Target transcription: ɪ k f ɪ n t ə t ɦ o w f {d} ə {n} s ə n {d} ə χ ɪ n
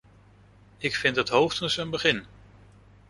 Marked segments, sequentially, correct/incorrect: incorrect, correct, incorrect

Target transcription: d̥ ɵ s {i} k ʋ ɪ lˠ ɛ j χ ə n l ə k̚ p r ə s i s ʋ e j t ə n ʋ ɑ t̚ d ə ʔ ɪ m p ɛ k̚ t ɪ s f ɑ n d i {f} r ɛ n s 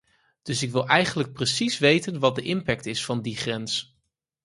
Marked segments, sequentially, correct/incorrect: incorrect, incorrect

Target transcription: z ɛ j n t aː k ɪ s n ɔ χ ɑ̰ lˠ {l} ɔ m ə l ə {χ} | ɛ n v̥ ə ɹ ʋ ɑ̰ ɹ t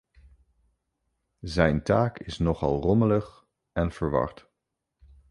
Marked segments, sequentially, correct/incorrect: incorrect, correct

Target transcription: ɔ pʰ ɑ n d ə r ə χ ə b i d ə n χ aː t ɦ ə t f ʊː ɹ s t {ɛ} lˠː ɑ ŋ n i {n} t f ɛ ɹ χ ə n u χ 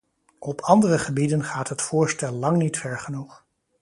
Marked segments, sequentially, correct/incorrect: correct, incorrect

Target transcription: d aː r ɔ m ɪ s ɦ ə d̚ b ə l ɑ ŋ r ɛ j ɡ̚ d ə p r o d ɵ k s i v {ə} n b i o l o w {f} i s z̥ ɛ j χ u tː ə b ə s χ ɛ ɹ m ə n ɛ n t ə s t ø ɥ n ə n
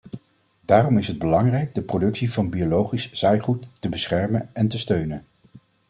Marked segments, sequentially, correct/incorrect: incorrect, incorrect

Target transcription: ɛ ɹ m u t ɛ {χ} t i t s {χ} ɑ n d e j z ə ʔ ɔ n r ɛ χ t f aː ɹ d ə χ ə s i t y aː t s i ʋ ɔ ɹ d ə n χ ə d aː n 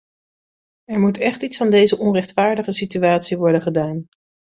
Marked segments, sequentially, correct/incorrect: correct, incorrect

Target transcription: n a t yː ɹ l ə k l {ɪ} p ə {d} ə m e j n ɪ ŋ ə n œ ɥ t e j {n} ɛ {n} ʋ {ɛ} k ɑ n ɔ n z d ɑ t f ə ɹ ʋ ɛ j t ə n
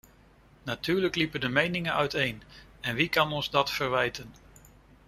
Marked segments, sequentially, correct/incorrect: incorrect, correct, correct, correct, incorrect

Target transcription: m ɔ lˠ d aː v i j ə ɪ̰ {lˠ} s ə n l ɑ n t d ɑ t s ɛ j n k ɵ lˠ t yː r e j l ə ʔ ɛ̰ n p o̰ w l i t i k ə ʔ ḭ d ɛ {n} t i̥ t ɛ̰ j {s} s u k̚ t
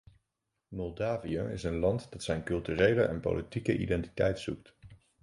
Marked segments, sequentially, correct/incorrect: incorrect, correct, incorrect

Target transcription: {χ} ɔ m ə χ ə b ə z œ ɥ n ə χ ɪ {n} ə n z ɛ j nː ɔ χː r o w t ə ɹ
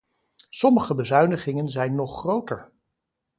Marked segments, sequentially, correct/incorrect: incorrect, incorrect

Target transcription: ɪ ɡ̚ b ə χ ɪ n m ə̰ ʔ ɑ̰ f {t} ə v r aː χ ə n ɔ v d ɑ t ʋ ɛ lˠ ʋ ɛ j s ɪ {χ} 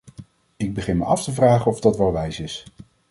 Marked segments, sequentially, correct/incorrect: correct, incorrect

